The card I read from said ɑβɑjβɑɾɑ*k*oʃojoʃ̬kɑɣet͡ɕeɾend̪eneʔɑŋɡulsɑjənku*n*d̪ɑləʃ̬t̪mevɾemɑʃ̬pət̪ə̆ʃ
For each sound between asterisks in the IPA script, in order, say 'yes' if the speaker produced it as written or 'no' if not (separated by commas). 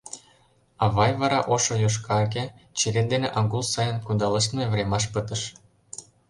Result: no, yes